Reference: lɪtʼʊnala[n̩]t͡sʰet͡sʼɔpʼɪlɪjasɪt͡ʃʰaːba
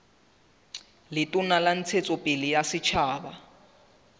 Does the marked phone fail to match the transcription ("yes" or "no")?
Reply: no